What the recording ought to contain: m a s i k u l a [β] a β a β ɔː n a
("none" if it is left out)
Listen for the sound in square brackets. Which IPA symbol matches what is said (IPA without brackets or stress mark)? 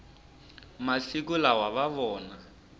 w